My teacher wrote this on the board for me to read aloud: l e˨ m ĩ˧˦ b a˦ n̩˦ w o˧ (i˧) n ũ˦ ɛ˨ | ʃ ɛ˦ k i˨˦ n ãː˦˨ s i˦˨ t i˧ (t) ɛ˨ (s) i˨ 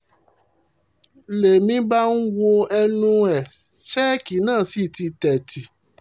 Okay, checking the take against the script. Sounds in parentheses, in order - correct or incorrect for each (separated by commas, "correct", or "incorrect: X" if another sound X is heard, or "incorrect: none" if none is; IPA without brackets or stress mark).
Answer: incorrect: ɛ˧, correct, incorrect: t